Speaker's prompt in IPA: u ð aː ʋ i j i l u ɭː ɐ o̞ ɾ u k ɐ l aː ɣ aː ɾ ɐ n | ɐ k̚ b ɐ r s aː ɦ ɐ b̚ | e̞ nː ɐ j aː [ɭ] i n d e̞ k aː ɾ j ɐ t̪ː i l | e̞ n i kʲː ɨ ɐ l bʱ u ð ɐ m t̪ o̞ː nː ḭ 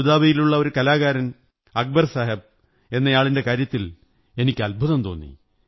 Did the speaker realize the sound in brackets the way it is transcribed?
yes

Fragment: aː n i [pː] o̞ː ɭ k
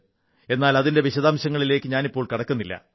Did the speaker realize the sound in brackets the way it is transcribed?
yes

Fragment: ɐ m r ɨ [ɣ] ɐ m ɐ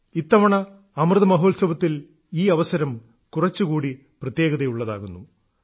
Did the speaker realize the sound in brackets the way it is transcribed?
no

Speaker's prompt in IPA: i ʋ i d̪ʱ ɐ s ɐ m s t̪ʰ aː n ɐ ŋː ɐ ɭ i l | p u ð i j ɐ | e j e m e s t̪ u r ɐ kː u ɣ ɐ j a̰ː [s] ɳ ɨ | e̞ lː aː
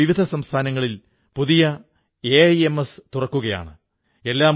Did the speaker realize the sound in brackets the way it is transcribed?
no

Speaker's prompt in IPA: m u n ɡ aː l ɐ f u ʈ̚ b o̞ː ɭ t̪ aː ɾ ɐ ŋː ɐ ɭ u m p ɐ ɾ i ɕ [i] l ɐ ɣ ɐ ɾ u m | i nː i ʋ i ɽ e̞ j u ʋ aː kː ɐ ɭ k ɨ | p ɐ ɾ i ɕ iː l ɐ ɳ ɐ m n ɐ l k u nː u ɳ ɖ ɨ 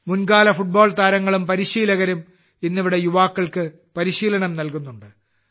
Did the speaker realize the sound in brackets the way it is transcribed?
no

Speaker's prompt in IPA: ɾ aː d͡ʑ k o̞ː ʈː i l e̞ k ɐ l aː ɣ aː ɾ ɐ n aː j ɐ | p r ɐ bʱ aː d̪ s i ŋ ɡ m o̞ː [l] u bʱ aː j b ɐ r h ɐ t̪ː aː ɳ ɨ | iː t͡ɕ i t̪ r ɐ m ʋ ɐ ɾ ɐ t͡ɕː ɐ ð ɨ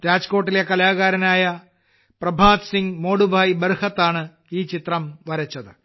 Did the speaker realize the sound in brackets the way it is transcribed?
no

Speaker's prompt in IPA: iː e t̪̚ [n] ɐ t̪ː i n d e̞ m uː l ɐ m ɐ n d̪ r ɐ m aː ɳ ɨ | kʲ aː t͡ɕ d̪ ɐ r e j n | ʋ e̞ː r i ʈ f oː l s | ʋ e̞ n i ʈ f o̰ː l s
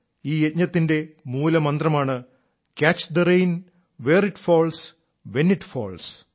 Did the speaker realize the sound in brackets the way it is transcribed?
no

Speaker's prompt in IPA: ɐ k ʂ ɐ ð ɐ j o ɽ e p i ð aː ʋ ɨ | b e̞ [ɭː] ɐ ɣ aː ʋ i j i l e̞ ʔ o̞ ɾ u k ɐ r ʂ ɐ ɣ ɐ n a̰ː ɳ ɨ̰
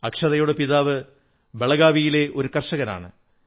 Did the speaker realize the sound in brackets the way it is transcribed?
no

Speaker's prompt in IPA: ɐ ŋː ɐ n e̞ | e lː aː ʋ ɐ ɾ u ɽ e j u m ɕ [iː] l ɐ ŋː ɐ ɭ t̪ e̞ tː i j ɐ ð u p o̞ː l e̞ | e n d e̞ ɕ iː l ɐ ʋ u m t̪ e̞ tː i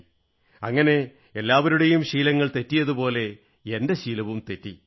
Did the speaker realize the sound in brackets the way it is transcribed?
yes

